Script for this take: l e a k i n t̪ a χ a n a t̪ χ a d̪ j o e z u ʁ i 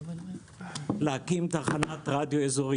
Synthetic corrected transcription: l e a k i m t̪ a χ a n a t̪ ʁ a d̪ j o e z o ʁ i